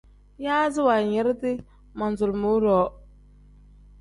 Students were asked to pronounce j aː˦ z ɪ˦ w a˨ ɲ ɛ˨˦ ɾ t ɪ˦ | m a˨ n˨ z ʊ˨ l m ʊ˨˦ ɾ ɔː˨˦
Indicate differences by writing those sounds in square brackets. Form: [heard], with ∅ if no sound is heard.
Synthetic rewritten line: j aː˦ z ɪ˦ w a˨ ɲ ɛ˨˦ ɾ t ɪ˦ | m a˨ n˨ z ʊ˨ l m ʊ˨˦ ɾ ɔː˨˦

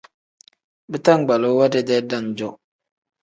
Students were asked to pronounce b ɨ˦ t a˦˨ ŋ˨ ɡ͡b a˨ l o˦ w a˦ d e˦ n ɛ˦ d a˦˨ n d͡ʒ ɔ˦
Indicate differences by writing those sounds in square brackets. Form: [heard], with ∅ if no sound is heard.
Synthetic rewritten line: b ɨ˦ t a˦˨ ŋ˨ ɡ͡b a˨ l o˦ w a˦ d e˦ [d] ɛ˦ d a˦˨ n d͡ʒ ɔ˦

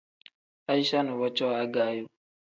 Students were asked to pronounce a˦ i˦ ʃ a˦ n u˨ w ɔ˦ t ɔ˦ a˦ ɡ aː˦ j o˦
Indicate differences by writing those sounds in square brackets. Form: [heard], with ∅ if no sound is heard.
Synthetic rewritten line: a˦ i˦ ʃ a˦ n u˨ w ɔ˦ [t͡ʃ] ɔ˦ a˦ ɡ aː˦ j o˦

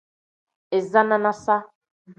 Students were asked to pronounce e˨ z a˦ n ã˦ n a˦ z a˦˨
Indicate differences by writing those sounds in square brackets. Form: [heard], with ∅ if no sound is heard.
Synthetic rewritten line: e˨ z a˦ n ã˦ n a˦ [s] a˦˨

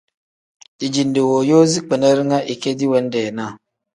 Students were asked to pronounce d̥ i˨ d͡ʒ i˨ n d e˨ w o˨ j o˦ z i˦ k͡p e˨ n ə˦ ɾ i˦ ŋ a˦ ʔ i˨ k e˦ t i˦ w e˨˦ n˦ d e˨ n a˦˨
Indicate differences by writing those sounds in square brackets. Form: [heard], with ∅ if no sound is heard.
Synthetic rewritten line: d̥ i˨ d͡ʒ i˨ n d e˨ w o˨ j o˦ z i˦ k͡p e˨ n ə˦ ɾ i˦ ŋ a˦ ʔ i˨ k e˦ [d] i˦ w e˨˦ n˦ d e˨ n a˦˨

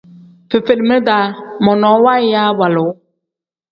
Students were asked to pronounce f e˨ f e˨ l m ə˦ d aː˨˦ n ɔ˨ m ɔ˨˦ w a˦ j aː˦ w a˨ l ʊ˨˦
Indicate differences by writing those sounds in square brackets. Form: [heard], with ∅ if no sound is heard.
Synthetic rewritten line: f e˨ f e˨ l m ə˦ d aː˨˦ [m] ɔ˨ [n] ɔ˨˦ w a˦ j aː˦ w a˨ l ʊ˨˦

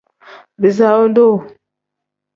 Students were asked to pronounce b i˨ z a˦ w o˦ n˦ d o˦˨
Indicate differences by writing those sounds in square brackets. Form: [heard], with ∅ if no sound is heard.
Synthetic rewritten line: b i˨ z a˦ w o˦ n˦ d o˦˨

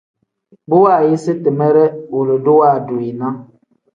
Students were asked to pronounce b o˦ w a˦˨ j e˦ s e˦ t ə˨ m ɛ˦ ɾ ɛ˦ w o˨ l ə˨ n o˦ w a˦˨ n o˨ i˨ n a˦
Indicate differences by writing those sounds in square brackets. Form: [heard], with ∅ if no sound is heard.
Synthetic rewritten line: b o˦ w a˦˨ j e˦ s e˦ t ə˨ m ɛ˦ ɾ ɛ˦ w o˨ l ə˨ [d] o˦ w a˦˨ [d] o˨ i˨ n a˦

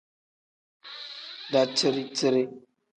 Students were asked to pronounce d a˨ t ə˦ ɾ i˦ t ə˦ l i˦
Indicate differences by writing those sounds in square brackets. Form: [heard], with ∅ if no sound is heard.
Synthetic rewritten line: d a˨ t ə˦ ɾ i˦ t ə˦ [ɾ] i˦

